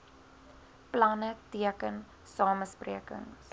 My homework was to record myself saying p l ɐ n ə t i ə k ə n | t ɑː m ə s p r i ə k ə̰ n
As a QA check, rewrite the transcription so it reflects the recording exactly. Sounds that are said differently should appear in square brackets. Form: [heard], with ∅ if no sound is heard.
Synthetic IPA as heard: p l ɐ n ə t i ə k ə n | [s] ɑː m ə s p r i ə k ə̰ [ŋ]